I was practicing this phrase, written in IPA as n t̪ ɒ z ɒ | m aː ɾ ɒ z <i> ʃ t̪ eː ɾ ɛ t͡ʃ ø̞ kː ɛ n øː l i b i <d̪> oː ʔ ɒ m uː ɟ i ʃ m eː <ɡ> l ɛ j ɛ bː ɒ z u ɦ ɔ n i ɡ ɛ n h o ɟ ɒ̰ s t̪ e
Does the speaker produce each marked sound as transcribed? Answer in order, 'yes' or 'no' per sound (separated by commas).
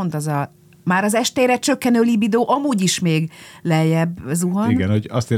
no, yes, yes